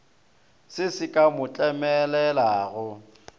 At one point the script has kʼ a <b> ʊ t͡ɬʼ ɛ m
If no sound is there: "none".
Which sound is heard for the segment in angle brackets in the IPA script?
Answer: m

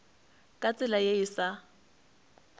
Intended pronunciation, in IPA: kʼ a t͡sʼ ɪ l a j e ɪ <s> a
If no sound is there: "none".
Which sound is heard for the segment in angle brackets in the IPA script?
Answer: s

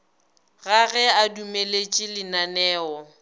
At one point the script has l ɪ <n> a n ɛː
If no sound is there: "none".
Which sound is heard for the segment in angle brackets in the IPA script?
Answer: n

